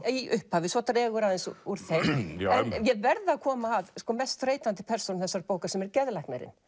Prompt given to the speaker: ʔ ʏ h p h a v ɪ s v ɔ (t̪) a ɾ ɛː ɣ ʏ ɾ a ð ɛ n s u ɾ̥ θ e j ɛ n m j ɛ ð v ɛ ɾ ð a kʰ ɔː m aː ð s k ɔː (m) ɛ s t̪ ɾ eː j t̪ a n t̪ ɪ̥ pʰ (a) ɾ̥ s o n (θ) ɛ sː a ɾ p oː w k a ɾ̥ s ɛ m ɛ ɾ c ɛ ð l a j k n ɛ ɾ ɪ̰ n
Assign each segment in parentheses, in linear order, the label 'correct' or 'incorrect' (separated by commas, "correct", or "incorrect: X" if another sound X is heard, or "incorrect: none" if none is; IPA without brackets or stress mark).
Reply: correct, correct, incorrect: ɛ, correct